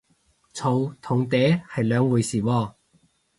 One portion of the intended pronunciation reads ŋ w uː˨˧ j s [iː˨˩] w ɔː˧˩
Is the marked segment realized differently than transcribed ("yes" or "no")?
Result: no